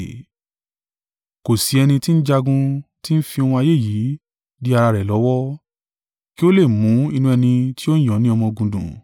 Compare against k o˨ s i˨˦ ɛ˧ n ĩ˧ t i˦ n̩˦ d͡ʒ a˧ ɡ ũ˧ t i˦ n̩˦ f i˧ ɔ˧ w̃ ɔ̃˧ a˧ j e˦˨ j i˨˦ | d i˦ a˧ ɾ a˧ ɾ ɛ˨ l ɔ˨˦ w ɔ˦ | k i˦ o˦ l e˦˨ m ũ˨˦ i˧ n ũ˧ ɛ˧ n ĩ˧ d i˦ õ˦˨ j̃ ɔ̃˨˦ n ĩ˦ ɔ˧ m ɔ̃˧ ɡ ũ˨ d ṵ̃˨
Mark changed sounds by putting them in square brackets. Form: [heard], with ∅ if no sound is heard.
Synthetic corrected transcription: k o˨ s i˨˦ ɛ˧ n ĩ˧ t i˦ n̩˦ d͡ʒ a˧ ɡ ũ˧ t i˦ n̩˦ f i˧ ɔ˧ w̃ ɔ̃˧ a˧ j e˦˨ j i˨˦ | d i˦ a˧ ɾ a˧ ɾ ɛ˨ l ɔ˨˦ w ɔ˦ | k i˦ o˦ l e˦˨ m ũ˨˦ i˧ n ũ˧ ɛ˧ n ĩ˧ [t] i˦ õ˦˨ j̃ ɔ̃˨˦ n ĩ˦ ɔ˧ m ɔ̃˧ ɡ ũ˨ d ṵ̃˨